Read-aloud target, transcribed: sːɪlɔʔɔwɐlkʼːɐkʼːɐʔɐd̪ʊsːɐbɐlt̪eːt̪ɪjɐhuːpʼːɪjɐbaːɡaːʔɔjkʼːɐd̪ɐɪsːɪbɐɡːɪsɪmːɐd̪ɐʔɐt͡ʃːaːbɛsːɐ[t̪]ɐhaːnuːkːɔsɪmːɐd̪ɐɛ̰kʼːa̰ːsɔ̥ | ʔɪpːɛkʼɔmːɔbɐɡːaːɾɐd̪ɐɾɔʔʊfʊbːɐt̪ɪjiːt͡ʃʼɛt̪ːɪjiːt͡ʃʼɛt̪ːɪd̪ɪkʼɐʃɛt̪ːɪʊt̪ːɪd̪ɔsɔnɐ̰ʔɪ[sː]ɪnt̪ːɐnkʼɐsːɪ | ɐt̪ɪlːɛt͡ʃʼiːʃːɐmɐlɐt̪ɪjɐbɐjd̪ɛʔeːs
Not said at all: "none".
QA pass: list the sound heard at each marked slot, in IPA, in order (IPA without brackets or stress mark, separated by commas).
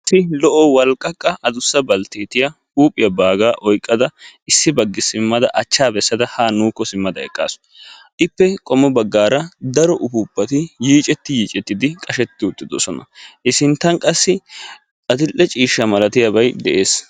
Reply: d̪, s